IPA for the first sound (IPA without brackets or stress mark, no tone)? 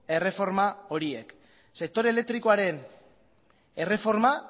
e̞